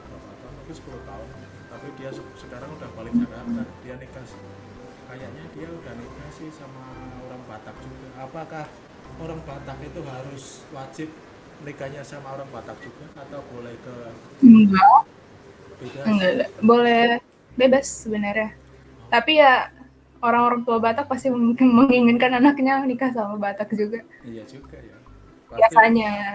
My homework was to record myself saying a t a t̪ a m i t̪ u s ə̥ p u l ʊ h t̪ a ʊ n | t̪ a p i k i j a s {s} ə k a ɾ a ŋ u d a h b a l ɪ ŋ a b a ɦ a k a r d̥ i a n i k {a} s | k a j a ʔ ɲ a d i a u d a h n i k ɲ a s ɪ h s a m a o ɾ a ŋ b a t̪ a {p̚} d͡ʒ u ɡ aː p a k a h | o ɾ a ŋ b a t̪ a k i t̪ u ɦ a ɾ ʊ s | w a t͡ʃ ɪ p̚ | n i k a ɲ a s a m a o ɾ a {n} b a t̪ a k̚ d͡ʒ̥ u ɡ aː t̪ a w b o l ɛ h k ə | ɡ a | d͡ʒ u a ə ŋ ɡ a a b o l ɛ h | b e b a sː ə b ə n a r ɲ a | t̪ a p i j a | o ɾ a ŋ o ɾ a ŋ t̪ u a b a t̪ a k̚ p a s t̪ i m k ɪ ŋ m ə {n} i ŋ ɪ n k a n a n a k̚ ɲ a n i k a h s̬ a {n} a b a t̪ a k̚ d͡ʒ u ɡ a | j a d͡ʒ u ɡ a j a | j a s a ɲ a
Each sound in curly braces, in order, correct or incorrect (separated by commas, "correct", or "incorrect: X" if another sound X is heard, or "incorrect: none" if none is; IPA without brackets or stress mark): correct, correct, incorrect: k̚, incorrect: ŋ, incorrect: ŋ, incorrect: m